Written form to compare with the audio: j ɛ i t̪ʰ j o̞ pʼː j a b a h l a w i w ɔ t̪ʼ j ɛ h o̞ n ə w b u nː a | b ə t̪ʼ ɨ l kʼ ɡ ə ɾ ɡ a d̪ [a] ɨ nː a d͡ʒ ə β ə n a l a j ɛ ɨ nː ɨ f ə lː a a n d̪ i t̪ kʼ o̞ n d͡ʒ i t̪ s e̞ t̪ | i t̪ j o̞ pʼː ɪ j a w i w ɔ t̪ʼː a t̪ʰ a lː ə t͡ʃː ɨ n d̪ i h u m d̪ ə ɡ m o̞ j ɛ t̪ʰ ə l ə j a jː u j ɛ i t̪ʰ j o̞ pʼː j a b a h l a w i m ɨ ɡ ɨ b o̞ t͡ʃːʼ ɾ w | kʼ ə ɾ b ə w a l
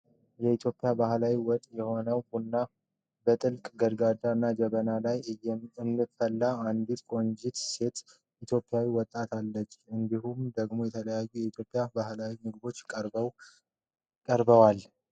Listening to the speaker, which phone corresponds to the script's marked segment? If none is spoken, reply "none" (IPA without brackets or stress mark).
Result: a